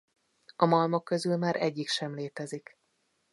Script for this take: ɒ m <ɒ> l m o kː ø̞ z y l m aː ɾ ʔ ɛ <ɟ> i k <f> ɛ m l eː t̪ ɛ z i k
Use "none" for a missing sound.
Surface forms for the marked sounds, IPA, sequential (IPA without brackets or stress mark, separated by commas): ɒ, ɟː, ʃ